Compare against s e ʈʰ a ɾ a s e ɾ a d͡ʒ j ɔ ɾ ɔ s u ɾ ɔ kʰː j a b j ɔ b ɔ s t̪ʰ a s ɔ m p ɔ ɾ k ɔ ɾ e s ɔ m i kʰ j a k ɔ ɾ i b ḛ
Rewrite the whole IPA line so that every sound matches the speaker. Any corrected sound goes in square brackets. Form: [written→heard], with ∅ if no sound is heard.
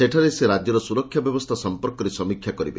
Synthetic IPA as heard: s e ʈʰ a ɾ [a→e] s e ɾ a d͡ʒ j ɔ ɾ ɔ s u ɾ ɔ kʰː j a b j ɔ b ɔ s t̪ʰ a s ɔ m p ɔ ɾ k ɔ ɾ e s ɔ m i kʰ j a k ɔ ɾ i b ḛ